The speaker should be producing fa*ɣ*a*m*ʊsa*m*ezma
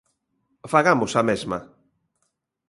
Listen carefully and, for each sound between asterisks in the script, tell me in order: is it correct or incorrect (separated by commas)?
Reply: correct, correct, correct